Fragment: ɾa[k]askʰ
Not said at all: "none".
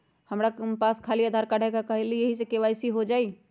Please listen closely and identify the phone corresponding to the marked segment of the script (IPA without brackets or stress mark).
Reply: p